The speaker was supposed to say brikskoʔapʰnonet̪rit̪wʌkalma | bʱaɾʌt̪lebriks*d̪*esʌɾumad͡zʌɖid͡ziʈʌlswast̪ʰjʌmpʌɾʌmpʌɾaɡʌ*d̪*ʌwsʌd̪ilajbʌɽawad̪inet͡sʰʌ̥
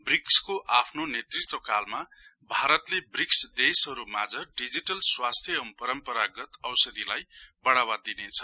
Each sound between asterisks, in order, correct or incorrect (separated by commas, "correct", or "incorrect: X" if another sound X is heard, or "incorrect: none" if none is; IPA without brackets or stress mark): correct, incorrect: t̪